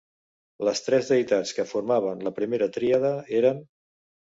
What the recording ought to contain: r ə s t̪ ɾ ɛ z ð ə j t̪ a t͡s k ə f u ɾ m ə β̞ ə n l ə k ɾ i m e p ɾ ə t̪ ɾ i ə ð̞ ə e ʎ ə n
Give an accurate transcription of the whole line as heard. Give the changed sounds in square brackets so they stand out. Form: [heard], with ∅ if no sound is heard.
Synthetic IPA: [l] ə s t̪ ɾ ɛ z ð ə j t̪ a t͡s k ə f u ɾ m [a] β̞ ə n l ə [p] ɾ i m e [∅] ɾ ə t̪ ɾ i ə ð̞ ə e [ɾ] ə n